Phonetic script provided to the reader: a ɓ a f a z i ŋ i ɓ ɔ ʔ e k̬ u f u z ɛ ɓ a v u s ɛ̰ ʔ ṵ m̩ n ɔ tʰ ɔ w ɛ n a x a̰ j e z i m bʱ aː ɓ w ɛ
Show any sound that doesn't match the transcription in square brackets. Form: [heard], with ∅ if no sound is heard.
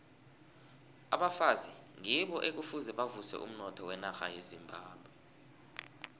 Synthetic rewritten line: a ɓ a f a z i ŋ i ɓ ɔ ʔ e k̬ u f u z ɛ ɓ a v u s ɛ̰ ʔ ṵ m̩ n ɔ tʰ ɔ w ɛ n a x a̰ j e z i m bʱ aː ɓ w ɛ